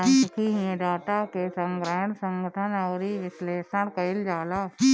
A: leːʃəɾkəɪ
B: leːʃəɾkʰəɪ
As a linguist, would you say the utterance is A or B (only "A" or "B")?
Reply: A